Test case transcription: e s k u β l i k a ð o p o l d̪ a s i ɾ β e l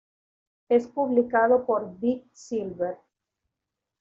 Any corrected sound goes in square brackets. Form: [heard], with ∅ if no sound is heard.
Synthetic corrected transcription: e s [p] u β l i k a ð o p o [ɾ] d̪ [i] s i [l] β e [ɾ]